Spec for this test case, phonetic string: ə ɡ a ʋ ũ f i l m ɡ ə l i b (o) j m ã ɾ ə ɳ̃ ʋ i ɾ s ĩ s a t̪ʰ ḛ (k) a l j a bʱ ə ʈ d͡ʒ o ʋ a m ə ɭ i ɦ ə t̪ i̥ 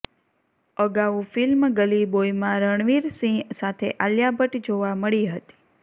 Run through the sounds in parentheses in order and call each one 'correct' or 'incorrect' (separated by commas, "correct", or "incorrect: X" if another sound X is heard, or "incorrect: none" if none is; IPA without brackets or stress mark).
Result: correct, incorrect: ʔ